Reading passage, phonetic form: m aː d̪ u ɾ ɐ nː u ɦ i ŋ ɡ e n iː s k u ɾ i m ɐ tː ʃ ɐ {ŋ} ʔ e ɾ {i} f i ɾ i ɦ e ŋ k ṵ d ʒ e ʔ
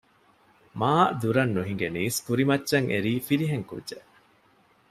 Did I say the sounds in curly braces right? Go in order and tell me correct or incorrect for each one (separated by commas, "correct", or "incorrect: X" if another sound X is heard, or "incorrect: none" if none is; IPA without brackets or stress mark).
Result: correct, incorrect: iː